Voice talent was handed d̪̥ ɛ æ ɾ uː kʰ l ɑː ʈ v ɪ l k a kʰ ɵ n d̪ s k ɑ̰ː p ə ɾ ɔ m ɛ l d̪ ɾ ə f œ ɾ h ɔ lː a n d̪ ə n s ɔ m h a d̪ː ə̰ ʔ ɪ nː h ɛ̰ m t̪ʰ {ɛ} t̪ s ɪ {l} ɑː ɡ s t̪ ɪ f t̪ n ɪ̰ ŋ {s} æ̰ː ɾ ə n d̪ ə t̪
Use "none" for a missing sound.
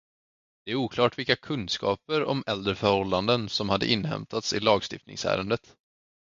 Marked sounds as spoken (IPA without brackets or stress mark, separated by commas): a, l, s